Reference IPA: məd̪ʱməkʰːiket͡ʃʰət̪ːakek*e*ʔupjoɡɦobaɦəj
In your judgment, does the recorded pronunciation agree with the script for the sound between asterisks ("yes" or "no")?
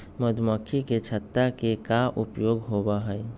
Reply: no